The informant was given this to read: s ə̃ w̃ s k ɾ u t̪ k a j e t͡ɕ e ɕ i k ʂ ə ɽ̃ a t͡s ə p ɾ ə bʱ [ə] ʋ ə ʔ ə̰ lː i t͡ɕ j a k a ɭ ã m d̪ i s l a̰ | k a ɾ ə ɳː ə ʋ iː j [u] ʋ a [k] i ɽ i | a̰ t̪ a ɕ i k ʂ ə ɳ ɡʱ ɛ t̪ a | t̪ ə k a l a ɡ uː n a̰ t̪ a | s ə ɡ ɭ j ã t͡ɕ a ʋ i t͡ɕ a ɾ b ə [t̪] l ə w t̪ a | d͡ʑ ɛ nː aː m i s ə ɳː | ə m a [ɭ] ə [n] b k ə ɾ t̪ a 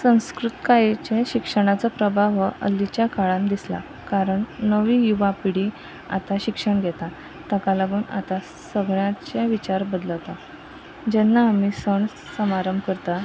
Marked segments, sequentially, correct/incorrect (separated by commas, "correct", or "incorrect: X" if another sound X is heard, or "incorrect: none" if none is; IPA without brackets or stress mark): incorrect: a, correct, incorrect: p, incorrect: d̪, incorrect: ɾ, incorrect: m